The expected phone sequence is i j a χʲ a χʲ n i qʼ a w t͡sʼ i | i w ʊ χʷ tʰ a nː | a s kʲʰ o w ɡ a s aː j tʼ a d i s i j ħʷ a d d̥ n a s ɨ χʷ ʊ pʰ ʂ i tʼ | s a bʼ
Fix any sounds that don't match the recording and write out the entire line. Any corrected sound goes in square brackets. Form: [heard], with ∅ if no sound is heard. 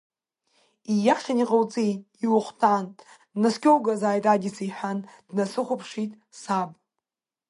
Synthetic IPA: i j a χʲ a [∅] n i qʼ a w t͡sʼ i | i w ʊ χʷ tʰ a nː | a s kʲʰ o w ɡ a [z] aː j tʼ a d i s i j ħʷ a [n] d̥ n a s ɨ χʷ ʊ pʰ ʂ i tʼ | s a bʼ